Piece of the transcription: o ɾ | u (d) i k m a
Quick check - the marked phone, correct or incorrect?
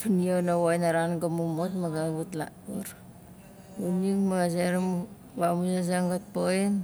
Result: incorrect